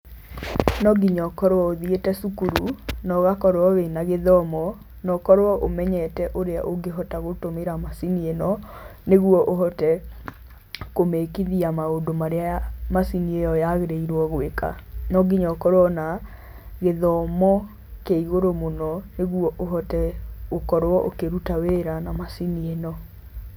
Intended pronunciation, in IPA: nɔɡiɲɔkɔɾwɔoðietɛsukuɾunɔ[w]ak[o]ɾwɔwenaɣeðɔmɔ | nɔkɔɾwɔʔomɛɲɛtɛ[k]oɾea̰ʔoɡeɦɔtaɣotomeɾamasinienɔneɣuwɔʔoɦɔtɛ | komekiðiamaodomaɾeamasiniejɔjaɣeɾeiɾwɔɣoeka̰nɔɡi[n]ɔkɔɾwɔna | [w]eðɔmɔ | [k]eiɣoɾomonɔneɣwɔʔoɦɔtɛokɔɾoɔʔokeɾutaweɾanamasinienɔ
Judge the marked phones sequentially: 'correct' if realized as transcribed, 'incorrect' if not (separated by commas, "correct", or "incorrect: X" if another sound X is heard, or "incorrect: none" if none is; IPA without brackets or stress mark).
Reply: incorrect: ɣ, incorrect: ɔ, incorrect: ʔ, incorrect: ɲ, incorrect: ɣ, correct